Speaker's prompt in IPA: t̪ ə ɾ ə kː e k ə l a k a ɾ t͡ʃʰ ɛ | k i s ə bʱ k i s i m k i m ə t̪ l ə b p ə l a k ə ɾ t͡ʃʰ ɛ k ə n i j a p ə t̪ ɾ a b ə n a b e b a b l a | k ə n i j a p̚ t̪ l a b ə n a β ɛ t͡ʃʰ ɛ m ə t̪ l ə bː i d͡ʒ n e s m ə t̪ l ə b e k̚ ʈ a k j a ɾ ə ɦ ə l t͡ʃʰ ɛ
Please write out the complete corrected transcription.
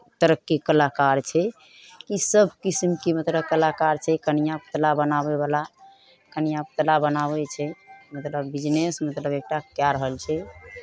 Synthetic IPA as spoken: t̪ ə ɾ ə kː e k ə l a k a ɾ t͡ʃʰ ɛ | k i s ə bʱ k i s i m k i m ə t̪ l ə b k ə l a k a ɾ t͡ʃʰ ɛ k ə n i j a p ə t̪ l a b ə n a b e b a l a | k ə n i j a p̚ t̪ l a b ə n a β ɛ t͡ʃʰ ɛ m ə t̪ l ə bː i d͡ʒ n e s m ə t̪ l ə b e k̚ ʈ a k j a ɾ ə ɦ ə l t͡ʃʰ ɛ